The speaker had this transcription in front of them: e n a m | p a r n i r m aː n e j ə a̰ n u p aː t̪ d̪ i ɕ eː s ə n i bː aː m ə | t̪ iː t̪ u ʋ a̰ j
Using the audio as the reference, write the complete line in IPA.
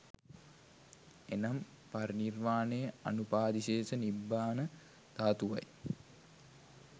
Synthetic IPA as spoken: e n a m | p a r n i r m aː n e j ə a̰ n u p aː d̪ i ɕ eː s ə n i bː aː n ə | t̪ aː t̪ u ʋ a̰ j